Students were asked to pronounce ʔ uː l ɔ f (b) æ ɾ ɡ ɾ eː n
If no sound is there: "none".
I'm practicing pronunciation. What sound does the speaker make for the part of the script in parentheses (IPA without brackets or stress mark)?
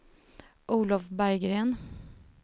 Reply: b